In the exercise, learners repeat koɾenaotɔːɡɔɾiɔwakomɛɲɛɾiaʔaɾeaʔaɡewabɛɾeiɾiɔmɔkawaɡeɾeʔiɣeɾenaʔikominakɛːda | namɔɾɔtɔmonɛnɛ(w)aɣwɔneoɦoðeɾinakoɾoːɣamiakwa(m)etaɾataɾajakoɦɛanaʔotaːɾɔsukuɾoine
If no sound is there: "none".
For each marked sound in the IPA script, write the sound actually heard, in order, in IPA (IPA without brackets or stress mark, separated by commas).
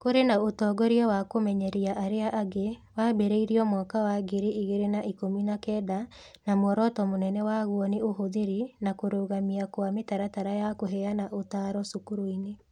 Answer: w, m